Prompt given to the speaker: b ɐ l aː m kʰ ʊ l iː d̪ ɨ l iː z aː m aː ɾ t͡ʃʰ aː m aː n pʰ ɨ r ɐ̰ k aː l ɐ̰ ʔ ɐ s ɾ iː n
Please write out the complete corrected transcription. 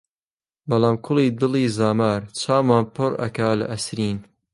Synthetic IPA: b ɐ l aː m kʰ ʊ l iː d̪ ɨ l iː z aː m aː ɾ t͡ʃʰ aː m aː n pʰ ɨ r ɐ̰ k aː l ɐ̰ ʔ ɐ s ɾ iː n